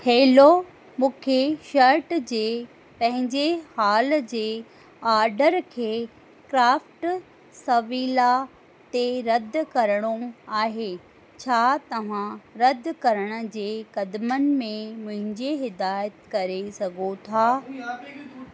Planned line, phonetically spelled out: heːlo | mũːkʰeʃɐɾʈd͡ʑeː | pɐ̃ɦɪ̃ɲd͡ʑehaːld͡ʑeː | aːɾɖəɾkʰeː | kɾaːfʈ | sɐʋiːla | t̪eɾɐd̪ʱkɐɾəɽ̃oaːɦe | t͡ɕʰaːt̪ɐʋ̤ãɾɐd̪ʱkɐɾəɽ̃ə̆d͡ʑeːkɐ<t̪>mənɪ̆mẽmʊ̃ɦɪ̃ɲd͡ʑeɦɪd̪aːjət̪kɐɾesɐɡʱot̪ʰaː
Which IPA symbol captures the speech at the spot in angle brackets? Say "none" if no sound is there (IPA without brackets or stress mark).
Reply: d̪